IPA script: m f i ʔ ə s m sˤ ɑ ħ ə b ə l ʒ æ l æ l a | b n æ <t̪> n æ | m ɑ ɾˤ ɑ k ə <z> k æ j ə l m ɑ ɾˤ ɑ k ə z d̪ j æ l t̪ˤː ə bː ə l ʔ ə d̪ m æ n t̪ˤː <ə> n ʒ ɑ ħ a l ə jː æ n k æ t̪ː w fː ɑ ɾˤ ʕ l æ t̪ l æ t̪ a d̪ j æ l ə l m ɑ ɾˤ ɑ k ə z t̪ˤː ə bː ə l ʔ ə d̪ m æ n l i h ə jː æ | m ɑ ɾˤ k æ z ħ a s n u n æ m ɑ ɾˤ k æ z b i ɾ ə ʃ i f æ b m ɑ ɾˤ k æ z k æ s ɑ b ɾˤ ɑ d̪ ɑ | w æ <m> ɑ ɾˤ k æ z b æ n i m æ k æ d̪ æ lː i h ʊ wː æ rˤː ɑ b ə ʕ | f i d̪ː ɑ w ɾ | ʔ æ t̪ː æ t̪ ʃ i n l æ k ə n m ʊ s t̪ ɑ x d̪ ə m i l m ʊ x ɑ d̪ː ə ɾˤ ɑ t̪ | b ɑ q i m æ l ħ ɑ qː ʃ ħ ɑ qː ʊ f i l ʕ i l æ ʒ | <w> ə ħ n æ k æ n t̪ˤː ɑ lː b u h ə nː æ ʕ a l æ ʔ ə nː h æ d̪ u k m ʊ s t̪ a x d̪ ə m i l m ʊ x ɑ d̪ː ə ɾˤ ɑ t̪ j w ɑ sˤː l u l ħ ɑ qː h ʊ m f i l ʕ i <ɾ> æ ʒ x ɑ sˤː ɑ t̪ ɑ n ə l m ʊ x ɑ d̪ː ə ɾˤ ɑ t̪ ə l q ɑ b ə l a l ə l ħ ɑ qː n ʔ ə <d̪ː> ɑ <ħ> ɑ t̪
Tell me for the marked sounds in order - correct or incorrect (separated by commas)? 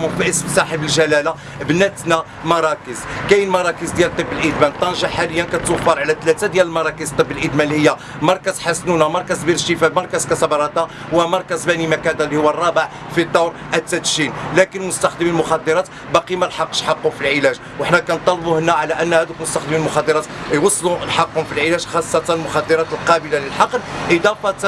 correct, correct, incorrect, correct, correct, incorrect, incorrect, incorrect